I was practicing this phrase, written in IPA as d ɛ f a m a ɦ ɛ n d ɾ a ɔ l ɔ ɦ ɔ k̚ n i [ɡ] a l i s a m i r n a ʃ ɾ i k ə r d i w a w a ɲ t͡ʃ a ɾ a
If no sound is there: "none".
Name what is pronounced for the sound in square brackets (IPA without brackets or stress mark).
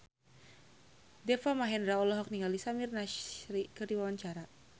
ŋ